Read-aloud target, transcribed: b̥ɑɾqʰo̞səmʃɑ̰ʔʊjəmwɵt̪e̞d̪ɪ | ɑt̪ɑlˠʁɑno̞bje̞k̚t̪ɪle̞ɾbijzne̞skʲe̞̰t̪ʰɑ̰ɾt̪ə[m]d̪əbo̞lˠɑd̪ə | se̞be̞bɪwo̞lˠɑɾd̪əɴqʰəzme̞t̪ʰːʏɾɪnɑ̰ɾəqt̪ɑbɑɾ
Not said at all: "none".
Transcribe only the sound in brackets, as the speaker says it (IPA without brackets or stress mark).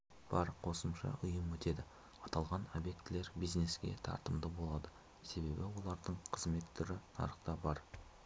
m